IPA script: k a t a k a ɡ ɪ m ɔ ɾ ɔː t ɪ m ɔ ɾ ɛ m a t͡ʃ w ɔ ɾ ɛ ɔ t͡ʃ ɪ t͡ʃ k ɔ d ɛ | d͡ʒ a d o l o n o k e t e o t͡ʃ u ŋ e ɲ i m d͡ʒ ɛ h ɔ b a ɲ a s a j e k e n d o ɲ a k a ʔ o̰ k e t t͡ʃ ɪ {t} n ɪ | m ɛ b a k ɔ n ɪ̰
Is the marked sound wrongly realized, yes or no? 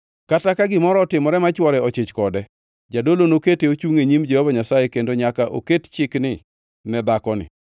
yes